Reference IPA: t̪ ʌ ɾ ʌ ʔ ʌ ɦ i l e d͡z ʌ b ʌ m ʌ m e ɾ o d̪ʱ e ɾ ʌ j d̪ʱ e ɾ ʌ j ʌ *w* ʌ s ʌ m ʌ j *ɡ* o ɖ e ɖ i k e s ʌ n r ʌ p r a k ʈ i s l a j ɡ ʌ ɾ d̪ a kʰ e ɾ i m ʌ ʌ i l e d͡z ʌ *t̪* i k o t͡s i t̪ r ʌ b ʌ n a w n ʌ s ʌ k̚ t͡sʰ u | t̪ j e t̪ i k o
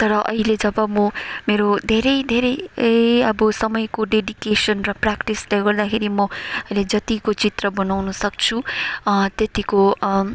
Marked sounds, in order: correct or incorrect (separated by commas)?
incorrect, incorrect, correct